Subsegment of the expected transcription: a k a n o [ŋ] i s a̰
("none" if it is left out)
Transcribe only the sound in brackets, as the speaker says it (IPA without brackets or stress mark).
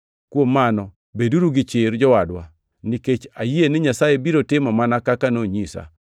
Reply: ɲ